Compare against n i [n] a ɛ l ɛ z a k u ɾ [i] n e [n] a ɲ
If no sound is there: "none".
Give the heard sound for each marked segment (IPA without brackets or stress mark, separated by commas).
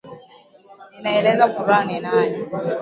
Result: n, a, n